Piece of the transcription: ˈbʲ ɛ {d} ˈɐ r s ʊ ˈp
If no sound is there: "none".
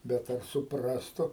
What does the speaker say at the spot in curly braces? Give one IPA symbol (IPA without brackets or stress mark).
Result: t